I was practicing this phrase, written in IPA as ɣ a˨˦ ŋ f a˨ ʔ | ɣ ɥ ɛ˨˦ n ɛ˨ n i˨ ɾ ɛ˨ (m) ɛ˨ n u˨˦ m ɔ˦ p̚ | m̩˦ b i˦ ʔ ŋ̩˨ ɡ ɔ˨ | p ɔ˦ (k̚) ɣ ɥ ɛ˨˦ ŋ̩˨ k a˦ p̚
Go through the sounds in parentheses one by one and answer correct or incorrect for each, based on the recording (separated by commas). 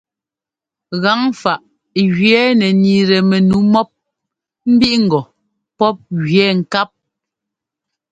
correct, incorrect